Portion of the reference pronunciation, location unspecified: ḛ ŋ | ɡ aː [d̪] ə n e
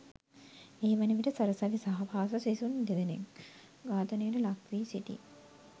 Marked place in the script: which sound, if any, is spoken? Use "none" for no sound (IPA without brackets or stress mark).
t̪